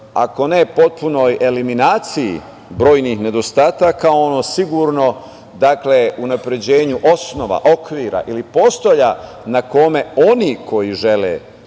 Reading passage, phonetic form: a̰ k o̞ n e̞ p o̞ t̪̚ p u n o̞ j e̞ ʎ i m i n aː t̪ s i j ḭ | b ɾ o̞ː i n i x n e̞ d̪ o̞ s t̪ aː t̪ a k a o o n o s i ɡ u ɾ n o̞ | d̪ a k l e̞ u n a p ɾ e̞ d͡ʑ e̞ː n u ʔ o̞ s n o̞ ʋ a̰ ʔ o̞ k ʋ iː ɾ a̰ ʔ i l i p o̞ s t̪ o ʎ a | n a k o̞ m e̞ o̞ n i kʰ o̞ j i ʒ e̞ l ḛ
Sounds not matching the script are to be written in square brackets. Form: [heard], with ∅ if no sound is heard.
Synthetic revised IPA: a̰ k o̞ n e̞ p o̞ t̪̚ p u n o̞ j e̞ [l] i m i n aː t̪ s i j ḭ | b ɾ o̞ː [j] n i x n e̞ d̪ o̞ s t̪ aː t̪ a k a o o n o s i ɡ u ɾ n o̞ | d̪ a k l e̞ u n a p ɾ e̞ d͡ʑ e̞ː [ɲ] u ʔ o̞ s n o̞ ʋ a̰ ʔ o̞ k ʋ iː ɾ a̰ ʔ i l i p o̞ s t̪ o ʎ a | n a k o̞ m e̞ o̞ n i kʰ o̞ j i ʒ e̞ l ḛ